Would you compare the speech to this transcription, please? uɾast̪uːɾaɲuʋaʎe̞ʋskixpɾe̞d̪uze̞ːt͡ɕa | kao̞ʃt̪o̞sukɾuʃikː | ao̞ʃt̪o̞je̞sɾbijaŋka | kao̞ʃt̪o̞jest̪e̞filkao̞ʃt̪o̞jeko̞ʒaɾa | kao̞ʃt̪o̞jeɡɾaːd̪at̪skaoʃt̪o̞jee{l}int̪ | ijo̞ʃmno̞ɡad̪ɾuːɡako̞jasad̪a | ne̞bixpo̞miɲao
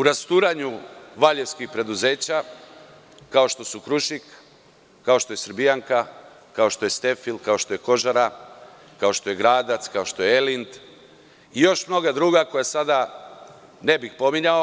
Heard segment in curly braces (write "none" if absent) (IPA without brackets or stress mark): l